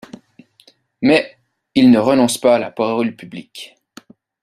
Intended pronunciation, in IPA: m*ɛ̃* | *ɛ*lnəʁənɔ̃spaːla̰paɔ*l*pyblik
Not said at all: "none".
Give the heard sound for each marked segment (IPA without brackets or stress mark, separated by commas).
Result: ɛ, i, l